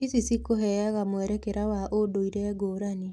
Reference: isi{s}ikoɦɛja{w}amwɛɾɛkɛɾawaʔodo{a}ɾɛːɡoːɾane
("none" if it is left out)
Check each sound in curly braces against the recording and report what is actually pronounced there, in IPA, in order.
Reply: s, ɣ, i

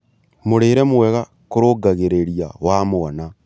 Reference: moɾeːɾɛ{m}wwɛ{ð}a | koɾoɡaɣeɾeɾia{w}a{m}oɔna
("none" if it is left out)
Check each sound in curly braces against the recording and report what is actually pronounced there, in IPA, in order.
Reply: m, ɣ, w, m

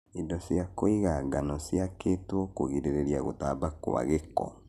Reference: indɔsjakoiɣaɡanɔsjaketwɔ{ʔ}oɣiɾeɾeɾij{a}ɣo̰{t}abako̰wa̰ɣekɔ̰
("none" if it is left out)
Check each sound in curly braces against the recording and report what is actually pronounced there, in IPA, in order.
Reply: k, a, t

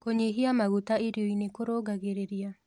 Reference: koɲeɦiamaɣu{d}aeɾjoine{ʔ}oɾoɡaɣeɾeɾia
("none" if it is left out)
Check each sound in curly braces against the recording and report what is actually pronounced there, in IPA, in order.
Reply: t, k

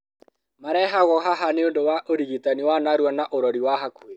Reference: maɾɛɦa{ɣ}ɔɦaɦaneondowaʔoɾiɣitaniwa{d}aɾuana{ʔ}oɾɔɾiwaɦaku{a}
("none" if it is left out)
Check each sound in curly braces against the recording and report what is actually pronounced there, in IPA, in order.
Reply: ɣ, n, ʔ, e

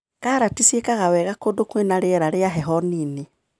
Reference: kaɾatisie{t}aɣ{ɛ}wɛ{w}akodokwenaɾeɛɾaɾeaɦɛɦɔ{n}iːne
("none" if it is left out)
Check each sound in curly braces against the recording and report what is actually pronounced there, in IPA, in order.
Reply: k, a, ɣ, n

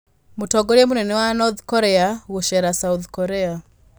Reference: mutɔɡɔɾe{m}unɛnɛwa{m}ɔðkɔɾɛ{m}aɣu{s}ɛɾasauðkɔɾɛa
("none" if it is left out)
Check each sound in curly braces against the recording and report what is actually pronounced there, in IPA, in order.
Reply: m, n, none, ʃ

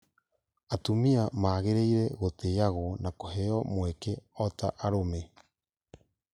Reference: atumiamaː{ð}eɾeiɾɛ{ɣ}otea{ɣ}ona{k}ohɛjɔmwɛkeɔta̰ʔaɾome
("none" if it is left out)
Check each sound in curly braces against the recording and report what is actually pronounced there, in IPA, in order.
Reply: ɣ, ɣ, ɣ, k

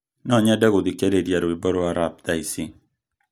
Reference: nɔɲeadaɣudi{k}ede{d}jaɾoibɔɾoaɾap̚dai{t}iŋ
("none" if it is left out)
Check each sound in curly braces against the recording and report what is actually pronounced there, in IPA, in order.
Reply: k, d, s

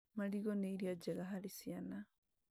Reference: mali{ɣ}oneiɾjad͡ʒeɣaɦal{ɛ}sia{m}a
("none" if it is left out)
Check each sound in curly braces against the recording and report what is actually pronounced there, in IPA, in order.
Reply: ɣ, i, n

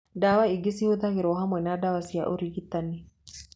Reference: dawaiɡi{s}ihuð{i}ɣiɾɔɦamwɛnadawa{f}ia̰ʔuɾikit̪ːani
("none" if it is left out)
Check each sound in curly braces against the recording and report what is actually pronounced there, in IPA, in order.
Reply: s, a, s

